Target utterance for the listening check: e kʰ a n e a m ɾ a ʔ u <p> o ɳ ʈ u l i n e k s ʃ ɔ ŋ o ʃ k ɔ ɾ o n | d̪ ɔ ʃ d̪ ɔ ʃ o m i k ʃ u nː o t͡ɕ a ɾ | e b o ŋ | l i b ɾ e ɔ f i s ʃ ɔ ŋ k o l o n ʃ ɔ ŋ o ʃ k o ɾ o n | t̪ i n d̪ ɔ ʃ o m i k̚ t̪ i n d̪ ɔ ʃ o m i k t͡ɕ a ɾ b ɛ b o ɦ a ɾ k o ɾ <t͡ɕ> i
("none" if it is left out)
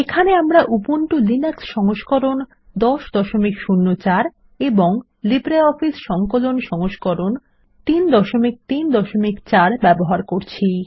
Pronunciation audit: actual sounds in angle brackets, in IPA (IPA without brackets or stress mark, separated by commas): p, t͡ɕʰ